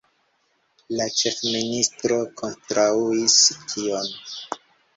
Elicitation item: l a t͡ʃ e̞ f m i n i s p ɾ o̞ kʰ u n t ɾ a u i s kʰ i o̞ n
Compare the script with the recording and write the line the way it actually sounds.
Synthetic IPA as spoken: l a t͡ʃ e̞ f m i n i s t ɾ o̞ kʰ o n t ɾ a u i s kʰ i o̞ n

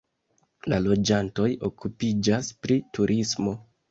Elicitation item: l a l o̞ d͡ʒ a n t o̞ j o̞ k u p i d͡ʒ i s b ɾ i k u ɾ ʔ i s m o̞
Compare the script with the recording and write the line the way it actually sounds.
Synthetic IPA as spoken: l a l o̞ d͡ʒ a n t o̞ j o̞ k u p i d͡ʒ a s p ɾ i t u ɾ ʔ i s m o̞

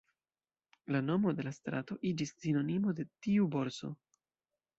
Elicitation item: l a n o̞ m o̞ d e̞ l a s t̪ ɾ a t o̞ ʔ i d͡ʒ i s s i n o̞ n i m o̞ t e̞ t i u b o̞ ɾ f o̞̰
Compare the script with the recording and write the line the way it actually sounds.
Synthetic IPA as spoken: l a n o̞ m o̞ d e̞ l a s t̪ ɾ a t o̞ ʔ i d͡ʒ i s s i n o̞ n i m o̞ d e̞ t i u b o̞ ɾ s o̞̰

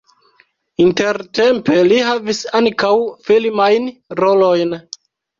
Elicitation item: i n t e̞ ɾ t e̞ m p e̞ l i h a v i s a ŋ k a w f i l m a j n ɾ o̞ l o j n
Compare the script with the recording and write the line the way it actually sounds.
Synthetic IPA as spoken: i n t e̞ ɾ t e̞ m p e̞ l i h a v i s a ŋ k a w f i l m a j n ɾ o̞ l o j n

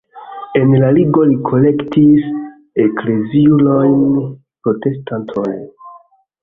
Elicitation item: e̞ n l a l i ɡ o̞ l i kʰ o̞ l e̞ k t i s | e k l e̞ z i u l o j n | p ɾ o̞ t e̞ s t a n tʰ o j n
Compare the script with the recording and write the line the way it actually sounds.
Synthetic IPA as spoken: e̞ n l a l i ɡ o̞ l i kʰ o̞ l e̞ k t i s | e k l e̞ z i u l o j n | p ɾ o̞ t e̞ s t a n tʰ o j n

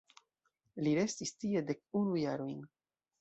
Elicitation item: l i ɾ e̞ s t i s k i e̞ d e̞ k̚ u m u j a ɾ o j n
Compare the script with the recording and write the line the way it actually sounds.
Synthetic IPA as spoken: l i ɾ e̞ s t i s t i e̞ d e̞ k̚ u n u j a ɾ o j n

